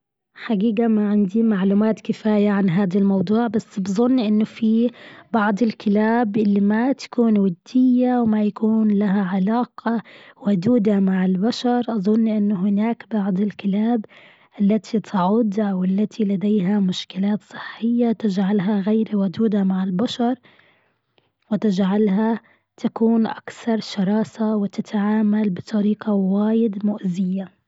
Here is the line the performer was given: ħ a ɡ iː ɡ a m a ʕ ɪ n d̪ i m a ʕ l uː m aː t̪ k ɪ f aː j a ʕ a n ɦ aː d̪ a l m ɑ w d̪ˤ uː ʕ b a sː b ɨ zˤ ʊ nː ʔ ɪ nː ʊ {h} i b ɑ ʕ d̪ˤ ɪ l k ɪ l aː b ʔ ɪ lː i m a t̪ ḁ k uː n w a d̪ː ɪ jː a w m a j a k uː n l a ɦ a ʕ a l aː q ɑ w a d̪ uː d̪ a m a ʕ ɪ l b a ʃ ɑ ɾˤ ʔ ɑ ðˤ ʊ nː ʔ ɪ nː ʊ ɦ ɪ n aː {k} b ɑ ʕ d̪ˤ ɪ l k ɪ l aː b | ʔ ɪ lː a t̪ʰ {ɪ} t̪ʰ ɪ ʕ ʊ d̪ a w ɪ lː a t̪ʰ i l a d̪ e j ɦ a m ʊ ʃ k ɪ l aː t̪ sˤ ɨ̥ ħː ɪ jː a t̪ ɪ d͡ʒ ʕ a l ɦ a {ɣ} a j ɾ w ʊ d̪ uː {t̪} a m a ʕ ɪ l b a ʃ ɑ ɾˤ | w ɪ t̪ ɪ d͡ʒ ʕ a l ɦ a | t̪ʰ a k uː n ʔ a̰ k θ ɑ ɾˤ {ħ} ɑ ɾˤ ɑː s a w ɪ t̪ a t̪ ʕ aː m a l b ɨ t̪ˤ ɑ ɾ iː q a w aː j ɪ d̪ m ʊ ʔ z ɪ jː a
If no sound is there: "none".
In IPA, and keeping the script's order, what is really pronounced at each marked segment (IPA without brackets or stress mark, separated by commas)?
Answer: f, k, i, ɣ, d̪, ʃ